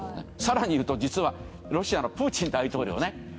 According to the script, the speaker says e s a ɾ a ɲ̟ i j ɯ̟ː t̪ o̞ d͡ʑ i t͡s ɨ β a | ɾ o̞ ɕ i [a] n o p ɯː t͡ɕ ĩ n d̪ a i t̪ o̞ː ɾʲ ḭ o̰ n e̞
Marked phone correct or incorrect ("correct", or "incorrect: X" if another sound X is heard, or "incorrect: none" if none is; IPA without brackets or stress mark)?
correct